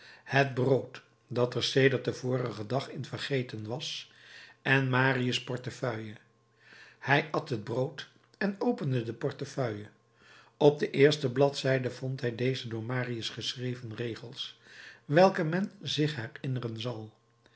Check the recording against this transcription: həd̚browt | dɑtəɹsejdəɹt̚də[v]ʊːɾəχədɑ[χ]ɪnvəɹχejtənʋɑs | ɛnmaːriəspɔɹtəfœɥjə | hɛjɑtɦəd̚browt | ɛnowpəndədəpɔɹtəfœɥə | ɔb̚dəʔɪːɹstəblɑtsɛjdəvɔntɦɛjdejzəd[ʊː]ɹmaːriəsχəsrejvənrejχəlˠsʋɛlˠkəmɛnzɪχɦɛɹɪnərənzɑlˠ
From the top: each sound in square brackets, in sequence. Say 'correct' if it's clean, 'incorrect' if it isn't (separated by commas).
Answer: correct, correct, correct